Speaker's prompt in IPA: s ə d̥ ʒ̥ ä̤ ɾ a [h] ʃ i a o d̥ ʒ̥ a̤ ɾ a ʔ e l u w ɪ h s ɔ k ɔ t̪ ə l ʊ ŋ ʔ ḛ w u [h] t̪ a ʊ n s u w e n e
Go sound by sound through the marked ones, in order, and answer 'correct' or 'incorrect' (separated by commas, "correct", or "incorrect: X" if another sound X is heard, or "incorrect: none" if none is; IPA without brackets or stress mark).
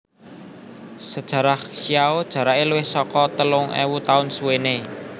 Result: correct, incorrect: none